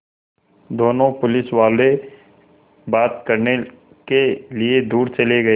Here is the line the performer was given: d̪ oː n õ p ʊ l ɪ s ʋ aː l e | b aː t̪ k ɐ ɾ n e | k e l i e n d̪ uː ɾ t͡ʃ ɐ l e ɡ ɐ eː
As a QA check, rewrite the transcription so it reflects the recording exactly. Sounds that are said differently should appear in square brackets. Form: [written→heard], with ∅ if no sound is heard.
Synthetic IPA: d̪ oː n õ p ʊ l ɪ s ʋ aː l e | b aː t̪ k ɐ ɾ n e | k e l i e [n→∅] d̪ uː ɾ t͡ʃ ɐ l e ɡ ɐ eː